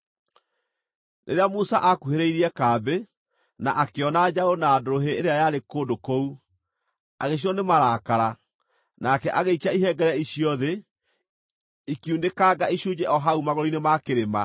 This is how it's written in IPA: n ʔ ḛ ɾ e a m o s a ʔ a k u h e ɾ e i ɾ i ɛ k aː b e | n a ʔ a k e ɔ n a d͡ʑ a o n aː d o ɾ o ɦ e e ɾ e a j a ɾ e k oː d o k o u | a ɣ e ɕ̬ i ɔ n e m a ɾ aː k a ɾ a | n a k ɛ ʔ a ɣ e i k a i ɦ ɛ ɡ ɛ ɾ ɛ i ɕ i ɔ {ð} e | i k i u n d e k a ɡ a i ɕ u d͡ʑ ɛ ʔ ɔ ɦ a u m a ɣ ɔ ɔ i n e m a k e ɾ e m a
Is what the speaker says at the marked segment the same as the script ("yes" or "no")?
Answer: yes